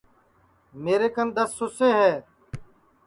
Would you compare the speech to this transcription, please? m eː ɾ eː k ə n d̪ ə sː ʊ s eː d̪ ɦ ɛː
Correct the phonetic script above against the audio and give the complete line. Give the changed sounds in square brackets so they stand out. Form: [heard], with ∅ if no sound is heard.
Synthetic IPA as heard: m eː ɾ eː k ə n d̪ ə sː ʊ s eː [∅] ɦ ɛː